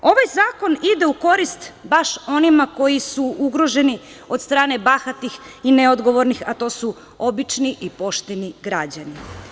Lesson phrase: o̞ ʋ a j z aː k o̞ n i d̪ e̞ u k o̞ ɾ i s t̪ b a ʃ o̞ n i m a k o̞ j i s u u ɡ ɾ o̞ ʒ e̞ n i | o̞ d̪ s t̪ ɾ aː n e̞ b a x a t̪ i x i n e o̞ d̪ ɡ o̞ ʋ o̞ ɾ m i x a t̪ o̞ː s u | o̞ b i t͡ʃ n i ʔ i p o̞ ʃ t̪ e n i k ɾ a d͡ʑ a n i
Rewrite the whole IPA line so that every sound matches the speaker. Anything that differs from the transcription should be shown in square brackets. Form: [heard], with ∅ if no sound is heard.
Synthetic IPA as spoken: o̞ ʋ a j z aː k o̞ n i d̪ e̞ u k o̞ ɾ i s t̪ b a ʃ o̞ n i m a k o̞ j i s u u ɡ ɾ o̞ ʒ e̞ n i | o̞ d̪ s t̪ ɾ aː n e̞ b a x a t̪ i x i n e o̞ d̪ ɡ o̞ ʋ o̞ ɾ [n] i x a t̪ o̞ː s u | o̞ b i t͡ʃ n i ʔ i p o̞ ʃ t̪ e n i [ɡ] ɾ a d͡ʑ a n i